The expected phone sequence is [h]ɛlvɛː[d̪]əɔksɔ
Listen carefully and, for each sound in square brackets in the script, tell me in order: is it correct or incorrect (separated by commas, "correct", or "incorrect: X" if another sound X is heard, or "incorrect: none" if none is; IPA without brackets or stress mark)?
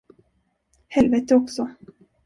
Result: correct, incorrect: t̪